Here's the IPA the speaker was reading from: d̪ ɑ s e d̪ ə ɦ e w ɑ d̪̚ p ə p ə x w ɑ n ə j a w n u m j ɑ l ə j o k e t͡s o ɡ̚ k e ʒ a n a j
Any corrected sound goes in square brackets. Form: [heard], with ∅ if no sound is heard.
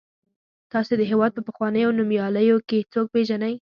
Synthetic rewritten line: [t̪] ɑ s e d̪ ə ɦ e w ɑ d̪̚ p ə p ə x w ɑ n ə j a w n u m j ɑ l ə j o k e t͡s o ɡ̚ [p] e ʒ a n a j